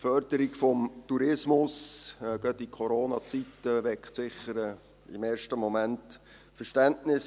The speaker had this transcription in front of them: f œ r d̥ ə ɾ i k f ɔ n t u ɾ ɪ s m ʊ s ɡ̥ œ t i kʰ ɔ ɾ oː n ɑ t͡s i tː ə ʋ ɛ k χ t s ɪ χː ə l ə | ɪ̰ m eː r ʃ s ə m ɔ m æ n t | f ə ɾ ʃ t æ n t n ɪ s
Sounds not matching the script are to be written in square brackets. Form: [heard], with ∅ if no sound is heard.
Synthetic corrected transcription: f œ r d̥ ə ɾ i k f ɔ [m] t u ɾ ɪ s m ʊ s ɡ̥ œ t i kʰ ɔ ɾ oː n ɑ t͡s i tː ə ʋ ɛ k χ t s ɪ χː ə [ɾ] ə | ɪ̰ m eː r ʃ [t] ə m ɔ m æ n t | f ə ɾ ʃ t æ n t n ɪ s

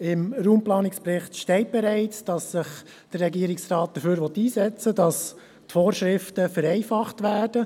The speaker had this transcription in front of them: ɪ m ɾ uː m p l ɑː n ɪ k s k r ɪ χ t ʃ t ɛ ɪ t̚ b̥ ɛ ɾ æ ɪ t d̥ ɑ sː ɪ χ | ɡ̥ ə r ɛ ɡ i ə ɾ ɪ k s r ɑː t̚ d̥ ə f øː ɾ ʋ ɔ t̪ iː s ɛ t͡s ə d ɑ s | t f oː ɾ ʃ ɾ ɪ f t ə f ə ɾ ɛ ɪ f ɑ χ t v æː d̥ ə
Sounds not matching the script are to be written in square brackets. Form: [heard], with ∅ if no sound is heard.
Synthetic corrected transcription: ɪ m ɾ uː m p l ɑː n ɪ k s [p] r ɪ χ t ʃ t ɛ ɪ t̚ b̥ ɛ ɾ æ ɪ [t͡s] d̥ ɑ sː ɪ χ | [d̥] ə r ɛ ɡ i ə ɾ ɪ k s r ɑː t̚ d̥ ə f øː ɾ ʋ ɔ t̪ iː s ɛ t͡s ə d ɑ s | t f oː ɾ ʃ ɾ ɪ f t ə f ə ɾ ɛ ɪ f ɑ χ t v æː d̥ ə

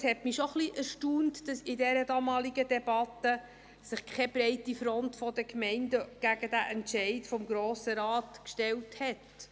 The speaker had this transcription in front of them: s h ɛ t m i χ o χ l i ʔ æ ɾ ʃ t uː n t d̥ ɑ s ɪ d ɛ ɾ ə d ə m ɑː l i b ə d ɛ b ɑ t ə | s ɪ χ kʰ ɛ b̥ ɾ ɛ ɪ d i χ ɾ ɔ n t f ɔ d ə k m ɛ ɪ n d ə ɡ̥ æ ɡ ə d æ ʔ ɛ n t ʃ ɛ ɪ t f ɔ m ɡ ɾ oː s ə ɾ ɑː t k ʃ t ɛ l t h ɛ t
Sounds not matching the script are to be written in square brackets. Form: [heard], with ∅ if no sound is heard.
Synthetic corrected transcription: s h ɛ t m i [ʃ] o χ l i ʔ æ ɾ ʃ t uː n t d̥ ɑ s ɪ d ɛ ɾ ə d [ɑ] m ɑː l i [ɡ] ə d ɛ b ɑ t ə | s ɪ χ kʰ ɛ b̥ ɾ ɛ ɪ [t] i [f] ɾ ɔ n t f ɔ d ə k m ɛ ɪ n d ə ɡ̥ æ ɡ ə d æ ʔ ɛ n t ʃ ɛ ɪ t f ɔ m ɡ ɾ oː s ə ɾ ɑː t k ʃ t ɛ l t h ɛ t

